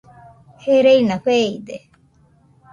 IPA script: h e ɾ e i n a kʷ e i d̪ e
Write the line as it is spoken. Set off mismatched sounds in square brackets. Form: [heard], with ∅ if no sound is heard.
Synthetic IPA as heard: h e ɾ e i n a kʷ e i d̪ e